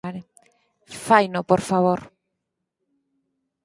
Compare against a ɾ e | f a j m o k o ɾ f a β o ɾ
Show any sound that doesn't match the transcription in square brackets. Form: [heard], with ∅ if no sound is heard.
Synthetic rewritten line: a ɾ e | f a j [n] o [p] o ɾ f a β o ɾ